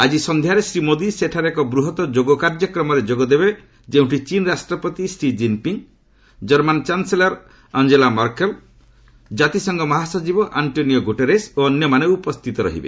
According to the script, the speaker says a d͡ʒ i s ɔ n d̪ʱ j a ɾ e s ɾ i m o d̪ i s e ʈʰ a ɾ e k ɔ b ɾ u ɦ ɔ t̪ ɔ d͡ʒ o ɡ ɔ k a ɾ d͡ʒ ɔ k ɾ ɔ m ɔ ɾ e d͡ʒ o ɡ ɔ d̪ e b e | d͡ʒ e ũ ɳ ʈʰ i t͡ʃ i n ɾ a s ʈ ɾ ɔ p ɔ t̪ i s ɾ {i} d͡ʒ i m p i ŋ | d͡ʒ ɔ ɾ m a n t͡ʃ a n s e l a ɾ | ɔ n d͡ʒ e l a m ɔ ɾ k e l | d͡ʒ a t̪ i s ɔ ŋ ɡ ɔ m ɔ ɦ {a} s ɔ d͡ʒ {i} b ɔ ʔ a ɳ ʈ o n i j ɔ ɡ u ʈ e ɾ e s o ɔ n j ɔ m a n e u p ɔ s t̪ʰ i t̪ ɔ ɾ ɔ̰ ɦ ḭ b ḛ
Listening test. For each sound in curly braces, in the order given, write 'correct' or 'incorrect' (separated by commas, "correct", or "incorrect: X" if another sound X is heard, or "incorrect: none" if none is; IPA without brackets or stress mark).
correct, correct, correct